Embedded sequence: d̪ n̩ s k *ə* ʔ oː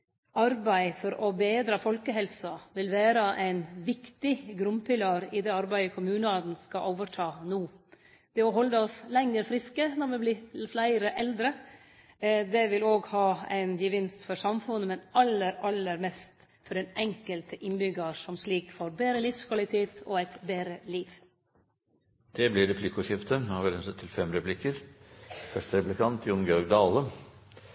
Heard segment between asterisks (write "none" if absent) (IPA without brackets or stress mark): ɑ